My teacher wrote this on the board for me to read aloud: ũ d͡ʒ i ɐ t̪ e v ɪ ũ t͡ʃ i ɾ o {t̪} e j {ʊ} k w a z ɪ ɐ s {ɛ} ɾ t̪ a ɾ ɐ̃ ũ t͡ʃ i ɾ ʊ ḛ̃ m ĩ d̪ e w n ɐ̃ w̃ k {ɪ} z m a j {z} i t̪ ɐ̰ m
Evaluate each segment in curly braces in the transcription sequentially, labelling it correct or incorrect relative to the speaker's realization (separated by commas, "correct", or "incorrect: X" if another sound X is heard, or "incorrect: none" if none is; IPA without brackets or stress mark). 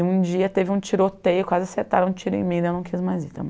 correct, correct, incorrect: e, incorrect: i, correct